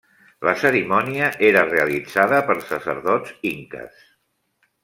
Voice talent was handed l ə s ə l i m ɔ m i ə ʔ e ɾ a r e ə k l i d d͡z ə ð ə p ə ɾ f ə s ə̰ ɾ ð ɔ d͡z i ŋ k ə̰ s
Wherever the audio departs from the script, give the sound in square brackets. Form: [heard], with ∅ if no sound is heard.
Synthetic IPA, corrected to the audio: l ə s ə [ɾ] i m ɔ [n] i ə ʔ e ɾ [ə] r e ə [∅] l i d d͡z [a] ð ə p ə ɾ [s] ə s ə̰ ɾ ð ɔ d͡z i ŋ k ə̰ s